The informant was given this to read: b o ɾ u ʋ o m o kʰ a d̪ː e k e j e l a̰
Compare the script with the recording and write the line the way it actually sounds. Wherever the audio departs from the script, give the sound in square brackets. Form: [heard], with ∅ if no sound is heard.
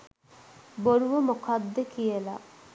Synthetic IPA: b o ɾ u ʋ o m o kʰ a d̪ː e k [i] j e l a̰